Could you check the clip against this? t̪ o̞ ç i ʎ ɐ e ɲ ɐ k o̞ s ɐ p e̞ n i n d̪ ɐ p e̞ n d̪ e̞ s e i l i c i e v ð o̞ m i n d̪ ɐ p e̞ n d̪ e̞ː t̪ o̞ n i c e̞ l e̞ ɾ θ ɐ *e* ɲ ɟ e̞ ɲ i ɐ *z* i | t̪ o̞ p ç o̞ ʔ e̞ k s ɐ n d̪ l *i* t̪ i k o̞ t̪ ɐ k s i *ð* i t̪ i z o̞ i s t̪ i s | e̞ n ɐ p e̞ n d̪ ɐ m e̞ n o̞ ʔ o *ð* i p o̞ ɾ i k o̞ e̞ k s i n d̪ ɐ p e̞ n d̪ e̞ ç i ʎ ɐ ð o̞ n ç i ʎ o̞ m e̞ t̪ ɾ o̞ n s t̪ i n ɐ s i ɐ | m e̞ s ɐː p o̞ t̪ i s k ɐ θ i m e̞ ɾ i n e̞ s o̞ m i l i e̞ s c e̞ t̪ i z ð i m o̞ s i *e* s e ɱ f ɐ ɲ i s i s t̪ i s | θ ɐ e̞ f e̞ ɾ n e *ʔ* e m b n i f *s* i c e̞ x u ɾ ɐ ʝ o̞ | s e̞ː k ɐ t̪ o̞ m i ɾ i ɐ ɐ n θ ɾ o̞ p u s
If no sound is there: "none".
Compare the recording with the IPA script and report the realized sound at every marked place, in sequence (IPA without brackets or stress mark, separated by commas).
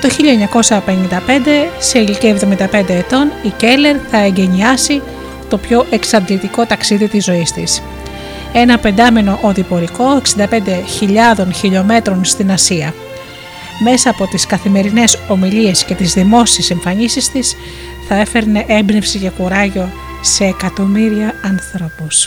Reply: e, s, i, ð, ð, e, ʔ, s